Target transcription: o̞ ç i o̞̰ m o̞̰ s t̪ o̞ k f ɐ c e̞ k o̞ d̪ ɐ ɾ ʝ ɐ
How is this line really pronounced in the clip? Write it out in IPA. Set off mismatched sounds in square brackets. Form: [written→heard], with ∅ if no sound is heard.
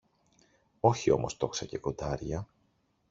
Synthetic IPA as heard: o̞ ç i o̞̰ m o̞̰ s t̪ o̞ k [f→s] ɐ c e̞ k o̞ d̪ ɐ ɾ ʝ ɐ